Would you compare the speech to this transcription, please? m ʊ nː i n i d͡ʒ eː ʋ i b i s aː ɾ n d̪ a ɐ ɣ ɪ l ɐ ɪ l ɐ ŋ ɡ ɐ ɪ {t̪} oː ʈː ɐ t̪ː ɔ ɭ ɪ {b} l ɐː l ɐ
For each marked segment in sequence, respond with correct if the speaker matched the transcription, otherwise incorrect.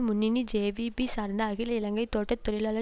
correct, incorrect

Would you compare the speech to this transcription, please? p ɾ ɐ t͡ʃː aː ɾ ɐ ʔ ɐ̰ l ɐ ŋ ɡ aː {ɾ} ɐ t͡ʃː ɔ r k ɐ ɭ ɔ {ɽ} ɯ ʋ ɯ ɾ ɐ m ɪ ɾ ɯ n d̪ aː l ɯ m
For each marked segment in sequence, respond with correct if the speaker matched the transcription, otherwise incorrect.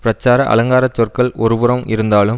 correct, incorrect

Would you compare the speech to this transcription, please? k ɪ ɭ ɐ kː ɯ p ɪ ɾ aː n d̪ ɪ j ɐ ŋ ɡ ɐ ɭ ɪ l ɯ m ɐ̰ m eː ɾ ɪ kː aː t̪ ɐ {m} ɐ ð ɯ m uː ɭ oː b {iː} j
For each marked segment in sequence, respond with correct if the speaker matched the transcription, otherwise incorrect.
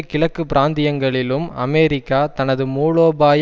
incorrect, incorrect

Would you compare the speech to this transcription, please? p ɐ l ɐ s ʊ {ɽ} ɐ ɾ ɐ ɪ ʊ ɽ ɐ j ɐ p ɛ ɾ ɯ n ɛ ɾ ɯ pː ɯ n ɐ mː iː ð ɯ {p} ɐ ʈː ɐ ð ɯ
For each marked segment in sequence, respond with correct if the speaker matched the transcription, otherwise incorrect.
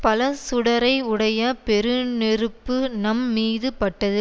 correct, correct

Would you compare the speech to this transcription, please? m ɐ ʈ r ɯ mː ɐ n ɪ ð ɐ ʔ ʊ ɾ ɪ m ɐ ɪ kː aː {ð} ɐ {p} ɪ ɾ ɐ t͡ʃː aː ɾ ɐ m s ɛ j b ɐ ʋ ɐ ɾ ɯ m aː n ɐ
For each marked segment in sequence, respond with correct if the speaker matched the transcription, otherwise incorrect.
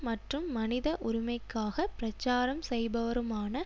incorrect, correct

